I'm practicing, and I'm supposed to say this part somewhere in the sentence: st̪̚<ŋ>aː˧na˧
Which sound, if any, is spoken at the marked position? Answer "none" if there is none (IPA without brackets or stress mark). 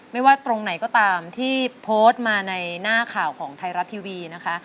m